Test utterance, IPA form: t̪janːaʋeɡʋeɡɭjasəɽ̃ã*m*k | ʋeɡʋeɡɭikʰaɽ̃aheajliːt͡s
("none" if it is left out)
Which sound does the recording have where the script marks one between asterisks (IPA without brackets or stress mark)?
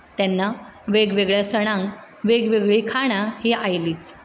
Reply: ŋ